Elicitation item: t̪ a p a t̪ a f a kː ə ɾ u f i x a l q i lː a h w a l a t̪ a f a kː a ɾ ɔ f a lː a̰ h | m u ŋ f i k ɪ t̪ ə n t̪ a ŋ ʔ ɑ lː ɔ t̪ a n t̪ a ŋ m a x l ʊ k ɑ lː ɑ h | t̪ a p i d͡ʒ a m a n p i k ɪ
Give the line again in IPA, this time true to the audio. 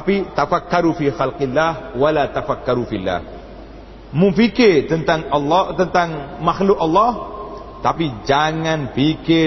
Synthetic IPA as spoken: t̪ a p i t̪ a f a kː a ɾ u f i x a l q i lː a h w a l a t̪ a f a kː a ɾ u f i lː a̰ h | m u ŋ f i k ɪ t̪ ə n t̪ a ŋ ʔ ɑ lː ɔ t̪ ə n t̪ a ŋ m a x l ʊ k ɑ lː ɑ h | t̪ a p i d͡ʒ a ŋ a n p i k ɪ